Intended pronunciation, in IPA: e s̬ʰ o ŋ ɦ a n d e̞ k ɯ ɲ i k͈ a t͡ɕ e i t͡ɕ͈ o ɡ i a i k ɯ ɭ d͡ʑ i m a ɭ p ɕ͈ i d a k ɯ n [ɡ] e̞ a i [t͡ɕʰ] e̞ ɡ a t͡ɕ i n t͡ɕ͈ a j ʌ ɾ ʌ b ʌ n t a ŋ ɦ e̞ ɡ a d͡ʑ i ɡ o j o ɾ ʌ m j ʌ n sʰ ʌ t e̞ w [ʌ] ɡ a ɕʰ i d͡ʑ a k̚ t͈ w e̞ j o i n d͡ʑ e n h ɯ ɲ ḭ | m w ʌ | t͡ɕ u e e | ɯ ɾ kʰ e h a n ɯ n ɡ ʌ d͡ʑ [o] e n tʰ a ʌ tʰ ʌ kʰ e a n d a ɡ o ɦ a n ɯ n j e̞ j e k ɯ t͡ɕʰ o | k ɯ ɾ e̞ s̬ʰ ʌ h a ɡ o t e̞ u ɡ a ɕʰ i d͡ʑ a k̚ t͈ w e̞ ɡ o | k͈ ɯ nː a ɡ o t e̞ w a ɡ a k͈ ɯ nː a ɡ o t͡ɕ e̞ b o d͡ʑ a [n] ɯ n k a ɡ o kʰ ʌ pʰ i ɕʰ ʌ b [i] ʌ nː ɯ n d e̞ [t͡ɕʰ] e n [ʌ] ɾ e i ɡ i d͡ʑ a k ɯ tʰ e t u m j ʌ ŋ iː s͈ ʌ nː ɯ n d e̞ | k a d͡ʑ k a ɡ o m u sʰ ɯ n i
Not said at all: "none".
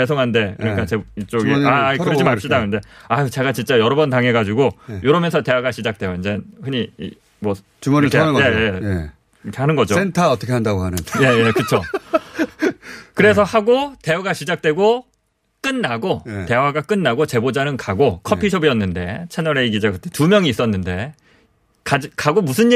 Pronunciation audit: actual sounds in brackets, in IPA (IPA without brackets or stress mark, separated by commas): d, t͡ɕ, a, o, n, i, t͡ɕʰ, ʌ